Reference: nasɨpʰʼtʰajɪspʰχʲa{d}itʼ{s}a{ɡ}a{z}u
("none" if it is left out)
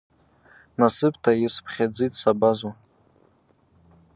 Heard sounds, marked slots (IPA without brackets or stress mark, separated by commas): d͡z, s, b, z